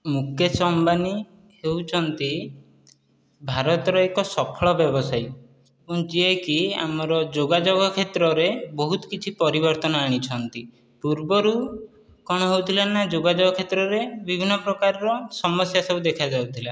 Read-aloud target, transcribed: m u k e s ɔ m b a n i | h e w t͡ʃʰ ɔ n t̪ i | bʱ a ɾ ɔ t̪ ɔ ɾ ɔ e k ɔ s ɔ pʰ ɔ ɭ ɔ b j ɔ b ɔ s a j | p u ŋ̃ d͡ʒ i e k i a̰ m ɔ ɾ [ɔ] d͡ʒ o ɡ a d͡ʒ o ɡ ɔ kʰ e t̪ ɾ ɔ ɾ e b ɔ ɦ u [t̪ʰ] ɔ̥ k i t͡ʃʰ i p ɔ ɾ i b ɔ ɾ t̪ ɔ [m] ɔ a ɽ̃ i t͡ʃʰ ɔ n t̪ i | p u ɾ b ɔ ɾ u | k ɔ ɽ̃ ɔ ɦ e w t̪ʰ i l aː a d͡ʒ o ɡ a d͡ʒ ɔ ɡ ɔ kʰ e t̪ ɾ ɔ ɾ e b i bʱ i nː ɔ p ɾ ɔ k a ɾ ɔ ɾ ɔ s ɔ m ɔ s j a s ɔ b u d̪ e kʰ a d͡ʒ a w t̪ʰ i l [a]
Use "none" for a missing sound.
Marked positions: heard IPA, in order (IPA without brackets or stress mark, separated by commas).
ɔ, t̪, n, a